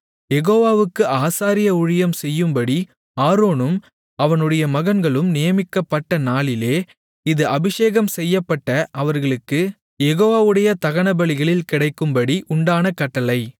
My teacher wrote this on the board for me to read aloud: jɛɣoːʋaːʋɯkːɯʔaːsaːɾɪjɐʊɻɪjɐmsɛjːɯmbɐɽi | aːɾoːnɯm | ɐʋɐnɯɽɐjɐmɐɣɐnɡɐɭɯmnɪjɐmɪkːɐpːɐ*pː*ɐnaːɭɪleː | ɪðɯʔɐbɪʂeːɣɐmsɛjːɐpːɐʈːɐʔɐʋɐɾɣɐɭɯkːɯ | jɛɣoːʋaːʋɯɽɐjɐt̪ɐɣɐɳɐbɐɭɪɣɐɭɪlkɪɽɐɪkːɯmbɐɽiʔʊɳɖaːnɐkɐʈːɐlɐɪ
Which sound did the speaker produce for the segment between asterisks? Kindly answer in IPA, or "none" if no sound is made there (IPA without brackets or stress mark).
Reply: ʈː